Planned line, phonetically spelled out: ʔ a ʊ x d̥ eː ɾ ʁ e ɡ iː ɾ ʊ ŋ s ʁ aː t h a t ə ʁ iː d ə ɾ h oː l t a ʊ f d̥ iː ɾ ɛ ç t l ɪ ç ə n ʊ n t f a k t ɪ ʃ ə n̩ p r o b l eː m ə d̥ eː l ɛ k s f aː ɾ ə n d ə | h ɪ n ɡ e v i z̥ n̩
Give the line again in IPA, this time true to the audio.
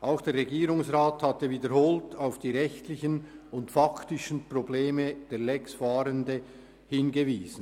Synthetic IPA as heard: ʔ a ʊ x d̥ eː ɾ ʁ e ɡ iː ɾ ʊ ŋ s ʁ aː t h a t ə v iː d ə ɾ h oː l t a ʊ f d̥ iː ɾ ɛ ç t l ɪ ç ə n ʊ n t f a k t ɪ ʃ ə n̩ p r o b l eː m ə d̥ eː l ɛ k s f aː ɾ ə n d ə | h ɪ n ɡ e v iː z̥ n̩